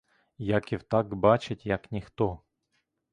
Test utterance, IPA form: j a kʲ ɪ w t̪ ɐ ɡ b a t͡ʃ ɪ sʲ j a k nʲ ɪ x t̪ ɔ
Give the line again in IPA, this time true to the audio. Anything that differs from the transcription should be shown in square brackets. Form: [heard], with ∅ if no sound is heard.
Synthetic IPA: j a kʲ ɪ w t̪ [a] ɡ b a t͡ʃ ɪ [tʲ] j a k nʲ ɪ x t̪ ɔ